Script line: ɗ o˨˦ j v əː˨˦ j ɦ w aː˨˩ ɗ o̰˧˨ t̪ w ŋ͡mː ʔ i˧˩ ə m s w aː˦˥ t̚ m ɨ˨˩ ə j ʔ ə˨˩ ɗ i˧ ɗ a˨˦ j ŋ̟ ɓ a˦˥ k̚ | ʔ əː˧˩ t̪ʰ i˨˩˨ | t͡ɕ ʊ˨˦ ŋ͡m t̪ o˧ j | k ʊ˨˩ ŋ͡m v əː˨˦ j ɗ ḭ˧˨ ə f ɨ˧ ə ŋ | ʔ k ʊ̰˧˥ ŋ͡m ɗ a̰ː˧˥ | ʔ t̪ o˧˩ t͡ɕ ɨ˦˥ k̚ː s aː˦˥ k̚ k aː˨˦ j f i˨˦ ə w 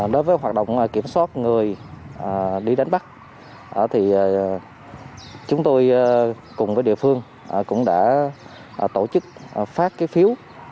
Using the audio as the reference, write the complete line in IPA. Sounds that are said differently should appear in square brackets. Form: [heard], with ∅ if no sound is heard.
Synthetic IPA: ɗ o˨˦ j v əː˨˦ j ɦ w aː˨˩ ɗ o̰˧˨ [∅] w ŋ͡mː [k] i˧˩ ə m s w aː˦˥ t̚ [ŋ] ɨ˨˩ ə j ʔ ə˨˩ ɗ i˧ ɗ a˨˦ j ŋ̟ ɓ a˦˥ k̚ | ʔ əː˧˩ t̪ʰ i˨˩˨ | t͡ɕ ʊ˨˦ ŋ͡m t̪ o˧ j | k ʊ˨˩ ŋ͡m v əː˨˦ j ɗ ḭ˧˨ ə f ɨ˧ ə ŋ | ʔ k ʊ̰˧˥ ŋ͡m ɗ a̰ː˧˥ | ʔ t̪ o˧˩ t͡ɕ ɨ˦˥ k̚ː [f] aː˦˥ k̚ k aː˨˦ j f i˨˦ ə w